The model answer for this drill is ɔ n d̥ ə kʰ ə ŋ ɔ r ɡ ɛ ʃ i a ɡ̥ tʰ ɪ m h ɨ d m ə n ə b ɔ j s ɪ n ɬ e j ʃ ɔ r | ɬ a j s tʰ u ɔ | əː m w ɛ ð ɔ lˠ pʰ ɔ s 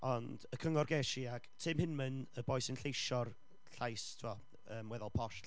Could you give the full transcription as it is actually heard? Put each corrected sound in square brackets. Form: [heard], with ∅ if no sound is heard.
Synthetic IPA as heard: ɔ n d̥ ə kʰ ə ŋ ɔ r ɡ ɛ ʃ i a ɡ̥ tʰ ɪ m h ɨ [n] m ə n ə b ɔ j s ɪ n ɬ e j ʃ ɔ r | ɬ a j s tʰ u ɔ | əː m w ɛ ð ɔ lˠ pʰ ɔ [ʃ]